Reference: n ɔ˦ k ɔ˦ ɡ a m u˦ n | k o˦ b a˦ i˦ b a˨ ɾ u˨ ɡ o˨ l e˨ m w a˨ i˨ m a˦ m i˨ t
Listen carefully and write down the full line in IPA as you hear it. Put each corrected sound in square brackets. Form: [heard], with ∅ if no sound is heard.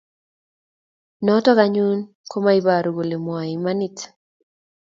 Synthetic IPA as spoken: n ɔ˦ [t] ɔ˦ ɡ a [ɲ] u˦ n | k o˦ [m] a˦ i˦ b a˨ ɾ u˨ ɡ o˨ l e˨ m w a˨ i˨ m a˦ [n] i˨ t